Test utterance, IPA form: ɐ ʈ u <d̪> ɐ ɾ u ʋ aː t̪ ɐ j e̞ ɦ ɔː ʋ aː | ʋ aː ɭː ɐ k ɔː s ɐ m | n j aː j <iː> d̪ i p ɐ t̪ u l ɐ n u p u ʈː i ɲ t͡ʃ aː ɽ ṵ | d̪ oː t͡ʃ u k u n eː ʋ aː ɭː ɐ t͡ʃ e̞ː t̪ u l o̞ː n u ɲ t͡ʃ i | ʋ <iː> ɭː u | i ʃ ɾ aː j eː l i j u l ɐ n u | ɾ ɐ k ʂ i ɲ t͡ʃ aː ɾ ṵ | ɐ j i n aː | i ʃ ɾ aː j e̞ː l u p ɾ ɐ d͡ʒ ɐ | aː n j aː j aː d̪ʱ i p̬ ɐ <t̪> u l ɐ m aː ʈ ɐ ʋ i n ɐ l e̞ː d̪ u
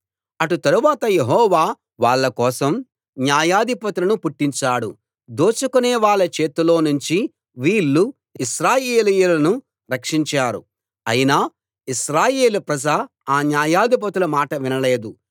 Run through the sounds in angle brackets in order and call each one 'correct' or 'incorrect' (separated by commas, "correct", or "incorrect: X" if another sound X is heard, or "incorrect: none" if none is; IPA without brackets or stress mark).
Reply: incorrect: t̪, incorrect: aː, correct, correct